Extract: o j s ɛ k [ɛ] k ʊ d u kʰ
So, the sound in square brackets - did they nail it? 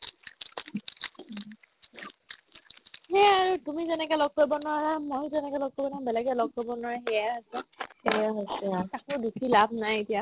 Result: no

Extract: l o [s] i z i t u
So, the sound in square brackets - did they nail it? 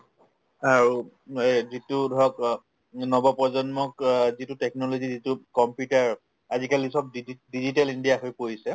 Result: no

